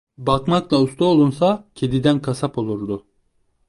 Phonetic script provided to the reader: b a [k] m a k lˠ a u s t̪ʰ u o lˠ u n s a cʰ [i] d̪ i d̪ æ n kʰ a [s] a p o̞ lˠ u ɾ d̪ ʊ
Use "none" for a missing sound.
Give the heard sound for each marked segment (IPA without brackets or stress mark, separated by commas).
k, e, s